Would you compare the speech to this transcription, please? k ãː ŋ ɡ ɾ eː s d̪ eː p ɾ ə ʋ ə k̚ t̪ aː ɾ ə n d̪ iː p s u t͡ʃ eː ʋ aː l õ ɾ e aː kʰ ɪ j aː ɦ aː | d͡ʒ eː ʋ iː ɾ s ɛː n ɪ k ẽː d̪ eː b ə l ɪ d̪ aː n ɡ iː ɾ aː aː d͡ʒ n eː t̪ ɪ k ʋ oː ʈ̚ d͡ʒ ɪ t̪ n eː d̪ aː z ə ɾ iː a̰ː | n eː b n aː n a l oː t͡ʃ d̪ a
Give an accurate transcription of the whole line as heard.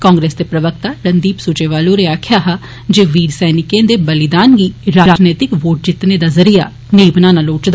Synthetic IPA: k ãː ŋ ɡ ɾ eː s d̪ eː p ɾ ə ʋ ə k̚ t̪ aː ɾ ə n d̪ iː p s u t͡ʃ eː ʋ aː l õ ɾ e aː kʰ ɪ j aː ɦ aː | d͡ʒ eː ʋ iː ɾ s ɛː n ɪ k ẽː d̪ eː b ə l ɪ d̪ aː n ɡ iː ɾ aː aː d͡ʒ n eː t̪ ɪ k ʋ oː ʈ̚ d͡ʒ ɪ t̪ n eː d̪ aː z ə ɾ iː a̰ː | n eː b n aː n a l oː t͡ʃ d̪ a